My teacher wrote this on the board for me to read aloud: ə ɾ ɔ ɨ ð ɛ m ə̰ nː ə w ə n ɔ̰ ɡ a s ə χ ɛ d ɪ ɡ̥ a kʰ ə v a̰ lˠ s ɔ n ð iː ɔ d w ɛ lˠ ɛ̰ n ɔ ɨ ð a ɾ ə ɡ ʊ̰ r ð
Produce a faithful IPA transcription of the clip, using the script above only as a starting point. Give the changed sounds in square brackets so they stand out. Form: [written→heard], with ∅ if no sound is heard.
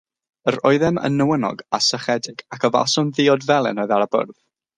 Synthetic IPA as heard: ə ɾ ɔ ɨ ð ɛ m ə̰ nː ə w ə n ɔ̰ ɡ a s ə χ ɛ d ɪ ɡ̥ a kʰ ə v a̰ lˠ s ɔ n ð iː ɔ d [w→v] ɛ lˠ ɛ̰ n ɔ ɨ ð a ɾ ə [ɡ→b] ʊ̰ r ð

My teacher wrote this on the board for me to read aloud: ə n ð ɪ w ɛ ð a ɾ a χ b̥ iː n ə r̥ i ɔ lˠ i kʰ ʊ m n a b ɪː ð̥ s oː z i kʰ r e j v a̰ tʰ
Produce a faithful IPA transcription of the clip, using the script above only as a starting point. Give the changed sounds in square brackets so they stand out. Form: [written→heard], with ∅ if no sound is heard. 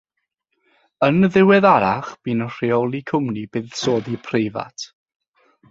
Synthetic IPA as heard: ə n ð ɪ w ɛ ð a ɾ a χ b̥ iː n ə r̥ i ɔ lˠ i kʰ ʊ m n [a→i] b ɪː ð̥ s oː [z→ð] i [kʰ→pʰ] r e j v a̰ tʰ

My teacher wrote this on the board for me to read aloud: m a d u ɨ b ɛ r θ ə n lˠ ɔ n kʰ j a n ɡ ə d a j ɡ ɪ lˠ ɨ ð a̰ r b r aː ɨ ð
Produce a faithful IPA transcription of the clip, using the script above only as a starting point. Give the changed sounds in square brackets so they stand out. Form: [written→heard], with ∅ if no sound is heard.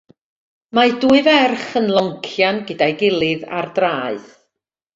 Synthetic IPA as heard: m a d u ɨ [b→v] ɛ r [θ→χ] ə n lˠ ɔ [n→ŋ] kʰ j a n ɡ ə d a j ɡ ɪ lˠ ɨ ð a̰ r [b→d] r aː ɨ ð

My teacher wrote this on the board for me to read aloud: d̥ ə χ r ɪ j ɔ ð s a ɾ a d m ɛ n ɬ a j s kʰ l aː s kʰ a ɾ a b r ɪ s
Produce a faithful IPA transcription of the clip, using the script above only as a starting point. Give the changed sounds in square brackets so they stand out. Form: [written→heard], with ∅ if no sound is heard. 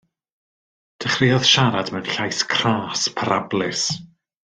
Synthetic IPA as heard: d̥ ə χ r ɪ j ɔ ð [s→ʃ] a ɾ a d m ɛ n ɬ a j s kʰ [l→r] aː s [kʰ→pʰ] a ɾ a b [r→l] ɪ s

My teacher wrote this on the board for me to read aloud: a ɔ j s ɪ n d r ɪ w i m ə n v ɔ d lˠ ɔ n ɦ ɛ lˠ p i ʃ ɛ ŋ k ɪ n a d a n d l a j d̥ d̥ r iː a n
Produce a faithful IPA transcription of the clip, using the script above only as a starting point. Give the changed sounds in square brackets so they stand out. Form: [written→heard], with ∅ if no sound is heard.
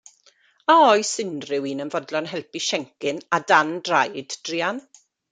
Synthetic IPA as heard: a ɔ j s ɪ n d r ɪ w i [m→n] ə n v ɔ d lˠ ɔ n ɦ ɛ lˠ p i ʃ ɛ ŋ k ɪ n a d a n d [l→r] a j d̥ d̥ r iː a n

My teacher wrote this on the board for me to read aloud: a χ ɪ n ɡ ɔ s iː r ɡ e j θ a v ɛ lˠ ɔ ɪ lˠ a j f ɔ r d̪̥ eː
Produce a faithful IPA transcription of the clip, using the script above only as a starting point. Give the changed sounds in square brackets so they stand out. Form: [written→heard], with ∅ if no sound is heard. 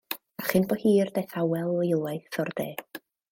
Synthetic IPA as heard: a χ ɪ n [ɡ→b] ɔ [s→h] iː r [ɡ→d] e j θ a [v→w] ɛ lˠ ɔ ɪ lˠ a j [f→θ] ɔ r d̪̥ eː

